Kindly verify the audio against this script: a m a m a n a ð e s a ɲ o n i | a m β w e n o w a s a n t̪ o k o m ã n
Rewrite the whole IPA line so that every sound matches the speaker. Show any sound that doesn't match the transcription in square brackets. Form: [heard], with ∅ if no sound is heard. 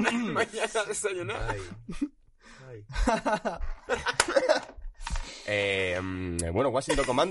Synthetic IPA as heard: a m a [ɲ] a n a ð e s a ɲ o n [a] | [e] m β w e n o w a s [i] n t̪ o k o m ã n